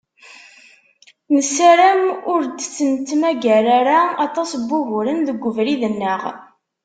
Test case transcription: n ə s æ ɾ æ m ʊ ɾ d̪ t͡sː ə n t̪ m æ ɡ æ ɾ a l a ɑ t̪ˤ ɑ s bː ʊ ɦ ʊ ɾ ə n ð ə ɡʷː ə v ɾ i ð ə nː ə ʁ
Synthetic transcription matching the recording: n ə s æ ɾ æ m ʊ ɾ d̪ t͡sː ə n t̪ m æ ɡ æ ɾ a ɾ a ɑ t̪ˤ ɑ s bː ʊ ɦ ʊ ɾ ə n ð ə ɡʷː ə v ɾ i ð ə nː ə ʁ

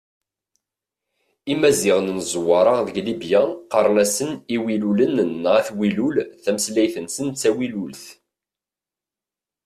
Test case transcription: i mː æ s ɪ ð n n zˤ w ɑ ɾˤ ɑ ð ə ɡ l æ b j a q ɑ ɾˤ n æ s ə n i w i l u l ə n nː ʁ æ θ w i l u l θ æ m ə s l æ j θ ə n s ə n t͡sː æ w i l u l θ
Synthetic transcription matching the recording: i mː æ z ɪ ʁ n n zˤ w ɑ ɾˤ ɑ ð ə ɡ l i b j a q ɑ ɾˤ n æ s ə n i w i l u l ə n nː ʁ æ θ w i l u l θ æ m ə s l æ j θ ə n s ə n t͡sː æ w i l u l θ

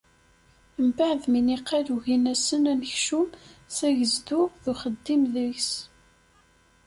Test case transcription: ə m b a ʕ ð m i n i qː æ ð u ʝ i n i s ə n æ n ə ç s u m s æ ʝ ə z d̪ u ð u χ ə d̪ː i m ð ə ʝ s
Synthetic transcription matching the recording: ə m b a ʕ ð m i n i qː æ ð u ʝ i n æ s ə n æ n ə ç ʃ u m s æ ʝ ə z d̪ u ð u χ ə d̪ː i m ð ə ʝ s

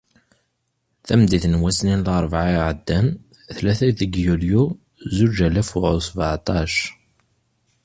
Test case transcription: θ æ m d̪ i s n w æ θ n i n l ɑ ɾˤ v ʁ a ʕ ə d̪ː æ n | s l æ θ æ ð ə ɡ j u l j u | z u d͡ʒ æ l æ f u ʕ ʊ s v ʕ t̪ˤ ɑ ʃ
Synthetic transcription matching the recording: θ æ m d̪ i θ n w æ s n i n l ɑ ɾˤ v ʕ a ʕ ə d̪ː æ n | θ l æ θ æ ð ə ɡ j u l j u | z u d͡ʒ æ l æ f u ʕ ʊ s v ʕ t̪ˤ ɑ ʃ

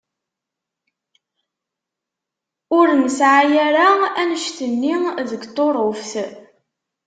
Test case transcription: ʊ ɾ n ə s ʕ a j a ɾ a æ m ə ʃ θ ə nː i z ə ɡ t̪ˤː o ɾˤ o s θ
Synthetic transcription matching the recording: ʊ ɾ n ə s ʕ a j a ɾ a æ n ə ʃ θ ə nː i ð ə ɡ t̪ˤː o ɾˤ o f θ

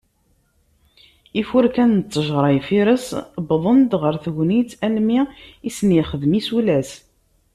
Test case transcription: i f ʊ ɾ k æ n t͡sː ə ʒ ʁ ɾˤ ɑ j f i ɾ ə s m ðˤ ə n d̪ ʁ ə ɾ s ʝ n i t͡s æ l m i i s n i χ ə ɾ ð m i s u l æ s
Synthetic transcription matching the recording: i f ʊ ɾ k æ n t͡sː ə ʒ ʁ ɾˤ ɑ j f i ɾ ə s b ðˤ ə n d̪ ʁ ə ɾ θ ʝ n i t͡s æ l m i i s n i χ ə ð m i s u l æ s

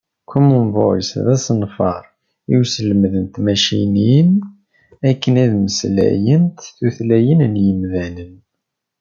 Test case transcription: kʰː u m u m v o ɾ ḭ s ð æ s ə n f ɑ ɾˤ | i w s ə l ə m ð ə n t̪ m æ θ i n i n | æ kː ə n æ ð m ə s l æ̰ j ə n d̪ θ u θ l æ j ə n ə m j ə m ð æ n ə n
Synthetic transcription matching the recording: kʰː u m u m v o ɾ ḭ s ð æ s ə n f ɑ ɾˤ | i w s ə l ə m ð ə n t̪ m æ ʃ i n i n | æ kː ə n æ ð m ə s l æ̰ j ə n t̪ θ u θ l æ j ə n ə n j ə m ð æ n ə n

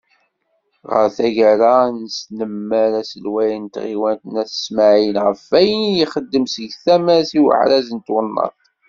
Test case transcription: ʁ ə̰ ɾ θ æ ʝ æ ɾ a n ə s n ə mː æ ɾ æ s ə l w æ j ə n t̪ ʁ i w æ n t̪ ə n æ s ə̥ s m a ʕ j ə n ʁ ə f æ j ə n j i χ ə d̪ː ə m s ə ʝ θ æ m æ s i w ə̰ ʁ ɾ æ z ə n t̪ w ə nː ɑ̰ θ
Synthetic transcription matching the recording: ʁ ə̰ ɾ θ æ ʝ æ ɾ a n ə s n ə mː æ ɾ æ s ə l w æ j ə n t̪ ʁ i w æ n t̪ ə n æ θ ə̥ s m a ʕ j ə n ʁ ə f æ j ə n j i χ ə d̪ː ə m s ə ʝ θ æ m æ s i w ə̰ ʕ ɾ æ z ə n t̪ w ə nː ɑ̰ θ

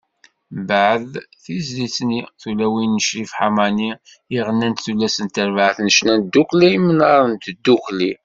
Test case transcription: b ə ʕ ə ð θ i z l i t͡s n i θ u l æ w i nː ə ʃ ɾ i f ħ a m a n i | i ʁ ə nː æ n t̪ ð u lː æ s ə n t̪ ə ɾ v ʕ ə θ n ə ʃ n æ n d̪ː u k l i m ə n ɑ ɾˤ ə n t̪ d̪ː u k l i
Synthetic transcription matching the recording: b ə ʕ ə ð θ i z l i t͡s n i θ u l æ w i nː ə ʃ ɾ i f ħ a m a n i | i ʁ ə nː æ n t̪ θ u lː æ s ə n t̪ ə ɾ v ʕ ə θ n ə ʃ n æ n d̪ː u k l i m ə n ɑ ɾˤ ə n t̪ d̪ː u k l i

